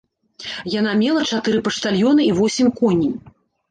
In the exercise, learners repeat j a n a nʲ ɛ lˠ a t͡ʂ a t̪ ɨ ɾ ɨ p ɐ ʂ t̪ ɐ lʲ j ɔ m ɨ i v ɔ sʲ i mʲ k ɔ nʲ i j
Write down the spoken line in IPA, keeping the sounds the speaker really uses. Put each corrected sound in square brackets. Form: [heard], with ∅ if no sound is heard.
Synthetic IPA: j a n a [mʲ] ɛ lˠ [ɐ] t͡ʂ a t̪ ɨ ɾ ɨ p ɐ ʂ t̪ [a] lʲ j ɔ [n] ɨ i v ɔ sʲ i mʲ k ɔ nʲ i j